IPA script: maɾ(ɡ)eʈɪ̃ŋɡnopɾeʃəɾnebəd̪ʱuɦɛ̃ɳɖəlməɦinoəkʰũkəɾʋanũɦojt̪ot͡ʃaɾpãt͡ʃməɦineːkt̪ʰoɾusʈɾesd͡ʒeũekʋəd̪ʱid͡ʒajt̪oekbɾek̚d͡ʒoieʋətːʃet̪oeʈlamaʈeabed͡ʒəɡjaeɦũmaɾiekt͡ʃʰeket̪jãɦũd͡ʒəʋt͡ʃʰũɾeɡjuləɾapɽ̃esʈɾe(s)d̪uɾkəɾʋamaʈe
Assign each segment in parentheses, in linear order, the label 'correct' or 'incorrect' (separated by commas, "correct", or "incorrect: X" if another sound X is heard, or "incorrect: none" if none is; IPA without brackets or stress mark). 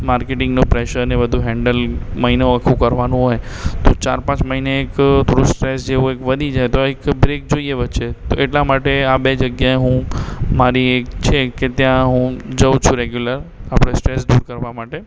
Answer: incorrect: k, correct